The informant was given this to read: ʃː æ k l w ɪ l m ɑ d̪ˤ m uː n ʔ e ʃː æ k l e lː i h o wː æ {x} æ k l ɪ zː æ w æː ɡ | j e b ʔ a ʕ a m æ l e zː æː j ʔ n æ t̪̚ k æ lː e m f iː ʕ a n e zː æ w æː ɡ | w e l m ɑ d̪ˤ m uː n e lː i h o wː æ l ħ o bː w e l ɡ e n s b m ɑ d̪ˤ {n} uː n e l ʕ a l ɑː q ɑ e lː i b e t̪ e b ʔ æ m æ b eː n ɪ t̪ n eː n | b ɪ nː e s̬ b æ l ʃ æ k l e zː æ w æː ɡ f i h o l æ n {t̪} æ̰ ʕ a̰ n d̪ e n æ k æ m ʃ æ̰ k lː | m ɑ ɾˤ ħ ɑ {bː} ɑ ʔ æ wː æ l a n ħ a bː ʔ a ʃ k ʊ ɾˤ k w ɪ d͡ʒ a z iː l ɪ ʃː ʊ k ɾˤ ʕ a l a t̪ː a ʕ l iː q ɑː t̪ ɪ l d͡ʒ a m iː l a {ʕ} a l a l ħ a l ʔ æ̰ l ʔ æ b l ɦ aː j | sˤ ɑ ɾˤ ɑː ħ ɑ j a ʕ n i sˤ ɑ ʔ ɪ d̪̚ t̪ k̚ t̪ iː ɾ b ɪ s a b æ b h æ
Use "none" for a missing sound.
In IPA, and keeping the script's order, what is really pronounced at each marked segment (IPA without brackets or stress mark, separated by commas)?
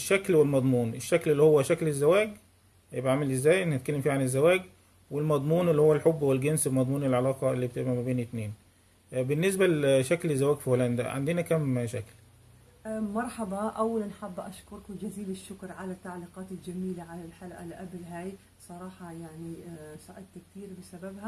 ʃ, m, d̪, b, ʕ